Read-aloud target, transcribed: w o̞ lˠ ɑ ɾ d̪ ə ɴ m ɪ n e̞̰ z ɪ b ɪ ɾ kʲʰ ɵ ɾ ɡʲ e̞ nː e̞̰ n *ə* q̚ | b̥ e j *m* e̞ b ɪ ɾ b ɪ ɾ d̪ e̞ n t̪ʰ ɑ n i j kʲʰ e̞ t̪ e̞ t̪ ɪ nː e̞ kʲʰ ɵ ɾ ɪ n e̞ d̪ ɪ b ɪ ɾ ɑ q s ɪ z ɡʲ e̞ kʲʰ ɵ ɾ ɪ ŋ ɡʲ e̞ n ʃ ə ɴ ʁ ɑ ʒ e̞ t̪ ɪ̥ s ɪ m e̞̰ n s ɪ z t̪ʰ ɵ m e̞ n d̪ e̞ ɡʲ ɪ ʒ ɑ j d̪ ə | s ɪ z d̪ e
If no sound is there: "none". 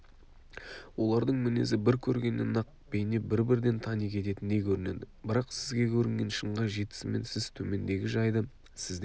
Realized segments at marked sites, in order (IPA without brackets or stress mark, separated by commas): ɑ, n